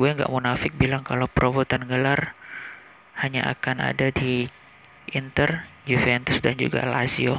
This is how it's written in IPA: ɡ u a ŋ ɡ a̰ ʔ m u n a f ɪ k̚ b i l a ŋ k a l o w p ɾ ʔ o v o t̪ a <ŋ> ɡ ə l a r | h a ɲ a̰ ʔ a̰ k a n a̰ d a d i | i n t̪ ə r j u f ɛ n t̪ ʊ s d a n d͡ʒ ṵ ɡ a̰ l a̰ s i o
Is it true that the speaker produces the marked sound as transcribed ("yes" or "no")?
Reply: no